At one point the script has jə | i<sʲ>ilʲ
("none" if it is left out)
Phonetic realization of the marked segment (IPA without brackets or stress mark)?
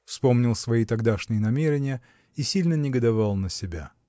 sʲ